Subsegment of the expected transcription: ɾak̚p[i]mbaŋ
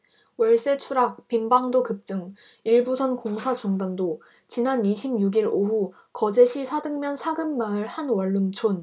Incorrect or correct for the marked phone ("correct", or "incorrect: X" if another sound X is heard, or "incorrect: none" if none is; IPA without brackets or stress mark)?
correct